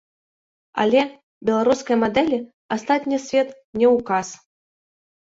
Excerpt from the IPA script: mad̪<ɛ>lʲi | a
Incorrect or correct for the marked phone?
correct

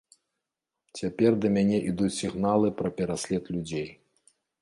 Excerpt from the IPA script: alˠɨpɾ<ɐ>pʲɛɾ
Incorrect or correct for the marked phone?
correct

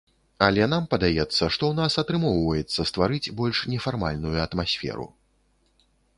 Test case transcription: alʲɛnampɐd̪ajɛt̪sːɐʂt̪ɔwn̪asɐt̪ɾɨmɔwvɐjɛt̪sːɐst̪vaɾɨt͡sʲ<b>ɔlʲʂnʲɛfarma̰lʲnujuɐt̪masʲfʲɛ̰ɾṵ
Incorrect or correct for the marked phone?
correct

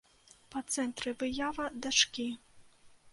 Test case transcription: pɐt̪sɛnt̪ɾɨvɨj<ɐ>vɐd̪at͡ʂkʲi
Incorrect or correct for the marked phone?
incorrect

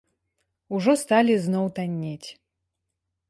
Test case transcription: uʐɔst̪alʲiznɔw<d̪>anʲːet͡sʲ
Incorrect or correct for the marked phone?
incorrect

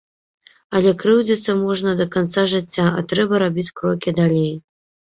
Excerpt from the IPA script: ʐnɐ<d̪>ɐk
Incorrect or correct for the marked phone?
correct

